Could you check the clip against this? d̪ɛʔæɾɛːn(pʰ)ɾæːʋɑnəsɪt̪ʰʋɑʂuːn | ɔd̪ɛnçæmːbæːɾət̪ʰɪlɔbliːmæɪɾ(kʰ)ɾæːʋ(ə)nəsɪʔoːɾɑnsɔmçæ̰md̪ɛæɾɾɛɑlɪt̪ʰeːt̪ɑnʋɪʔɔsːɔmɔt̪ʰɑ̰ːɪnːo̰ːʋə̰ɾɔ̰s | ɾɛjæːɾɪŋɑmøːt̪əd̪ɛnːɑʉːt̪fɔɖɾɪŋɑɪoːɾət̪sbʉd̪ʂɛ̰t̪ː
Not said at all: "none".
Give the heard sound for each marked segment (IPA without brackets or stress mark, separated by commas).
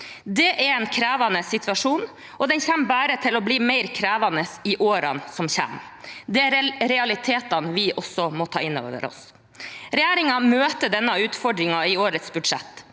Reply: kʰ, kʰ, ɑ